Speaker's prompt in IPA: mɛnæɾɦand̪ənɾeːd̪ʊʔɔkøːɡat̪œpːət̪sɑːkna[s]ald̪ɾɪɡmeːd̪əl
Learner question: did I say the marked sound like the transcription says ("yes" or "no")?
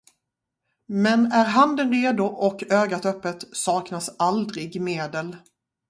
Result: yes